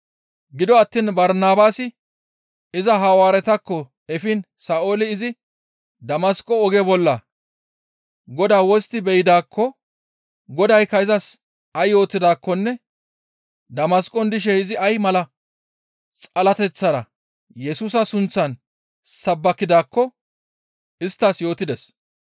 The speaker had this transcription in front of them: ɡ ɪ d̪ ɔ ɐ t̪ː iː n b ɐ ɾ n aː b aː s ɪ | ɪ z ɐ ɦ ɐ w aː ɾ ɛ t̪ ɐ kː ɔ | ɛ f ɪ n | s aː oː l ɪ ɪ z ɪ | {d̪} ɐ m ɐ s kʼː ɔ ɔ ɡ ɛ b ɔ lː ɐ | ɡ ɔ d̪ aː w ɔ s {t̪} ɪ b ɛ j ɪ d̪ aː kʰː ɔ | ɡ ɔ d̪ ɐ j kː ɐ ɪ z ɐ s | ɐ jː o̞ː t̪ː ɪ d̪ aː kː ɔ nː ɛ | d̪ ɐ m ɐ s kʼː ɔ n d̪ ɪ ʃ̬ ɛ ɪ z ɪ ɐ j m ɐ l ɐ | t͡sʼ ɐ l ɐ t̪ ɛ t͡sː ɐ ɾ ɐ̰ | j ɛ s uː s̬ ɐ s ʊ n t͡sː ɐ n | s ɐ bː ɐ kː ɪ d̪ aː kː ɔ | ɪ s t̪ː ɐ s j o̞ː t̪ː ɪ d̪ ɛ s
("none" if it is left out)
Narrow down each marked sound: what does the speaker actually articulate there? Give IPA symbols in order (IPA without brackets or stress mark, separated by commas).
d̪, t̪